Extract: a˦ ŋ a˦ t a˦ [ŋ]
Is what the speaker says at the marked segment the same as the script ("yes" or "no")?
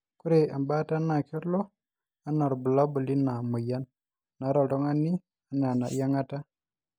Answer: no